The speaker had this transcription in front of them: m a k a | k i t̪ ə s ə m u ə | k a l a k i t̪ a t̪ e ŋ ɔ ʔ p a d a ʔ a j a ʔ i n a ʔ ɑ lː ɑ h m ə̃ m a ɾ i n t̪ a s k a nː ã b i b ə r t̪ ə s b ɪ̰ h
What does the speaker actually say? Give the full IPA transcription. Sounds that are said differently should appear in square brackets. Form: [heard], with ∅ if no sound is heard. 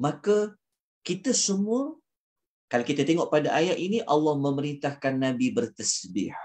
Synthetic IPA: m a k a | k i t̪ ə s ə m u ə | k a l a k i t̪ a t̪ e ŋ ɔ ʔ p a d a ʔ a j a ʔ i n [i] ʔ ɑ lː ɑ h m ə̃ m [ə] ɾ i n t̪ a [h] k a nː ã b i b ə r t̪ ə s b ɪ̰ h

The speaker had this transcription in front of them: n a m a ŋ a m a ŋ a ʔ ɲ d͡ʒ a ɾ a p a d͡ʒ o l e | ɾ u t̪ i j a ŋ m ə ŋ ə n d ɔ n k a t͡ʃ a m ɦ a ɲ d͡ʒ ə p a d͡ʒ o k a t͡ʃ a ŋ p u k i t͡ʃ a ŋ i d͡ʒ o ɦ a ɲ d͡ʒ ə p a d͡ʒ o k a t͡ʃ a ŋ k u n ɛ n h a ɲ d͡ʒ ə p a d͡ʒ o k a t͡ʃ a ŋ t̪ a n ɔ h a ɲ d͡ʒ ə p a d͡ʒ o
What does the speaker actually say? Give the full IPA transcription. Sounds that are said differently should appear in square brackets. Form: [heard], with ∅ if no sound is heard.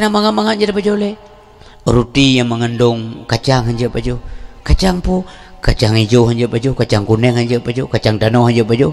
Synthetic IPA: n a m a ŋ a m a ŋ a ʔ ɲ d͡ʒ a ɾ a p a d͡ʒ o l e | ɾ u t̪ i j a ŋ m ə ŋ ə n d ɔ [ŋ] k a t͡ʃ a [ŋ] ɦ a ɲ d͡ʒ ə p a d͡ʒ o k a t͡ʃ a ŋ p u k [a] t͡ʃ a ŋ i d͡ʒ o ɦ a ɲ d͡ʒ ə p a d͡ʒ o k a t͡ʃ a ŋ k u n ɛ [ŋ] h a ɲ d͡ʒ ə p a d͡ʒ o k a t͡ʃ a ŋ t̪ a n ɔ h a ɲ d͡ʒ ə p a d͡ʒ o

